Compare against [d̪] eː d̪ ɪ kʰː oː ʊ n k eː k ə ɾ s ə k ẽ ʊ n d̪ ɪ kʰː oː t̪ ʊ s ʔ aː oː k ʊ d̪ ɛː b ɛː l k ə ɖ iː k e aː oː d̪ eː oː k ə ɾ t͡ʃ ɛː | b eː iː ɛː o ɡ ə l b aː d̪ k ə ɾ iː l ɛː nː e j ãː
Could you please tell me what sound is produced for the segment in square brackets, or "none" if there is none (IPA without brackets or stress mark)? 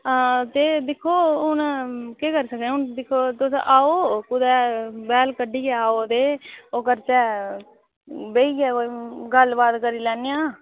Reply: t̪